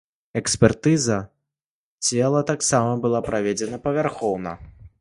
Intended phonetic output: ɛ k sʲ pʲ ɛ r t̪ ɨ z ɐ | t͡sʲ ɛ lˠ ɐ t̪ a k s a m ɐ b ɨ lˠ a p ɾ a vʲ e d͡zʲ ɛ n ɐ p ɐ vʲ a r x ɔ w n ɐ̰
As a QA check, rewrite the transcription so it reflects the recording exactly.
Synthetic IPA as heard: ɛ k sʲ pʲ ɛ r t̪ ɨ z ɐ | t͡sʲ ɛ lˠ ɐ t̪ a k s a m ɐ b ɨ lˠ a p ɾ a vʲ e d͡zʲ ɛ n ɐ p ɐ vʲ a r x ɔ w n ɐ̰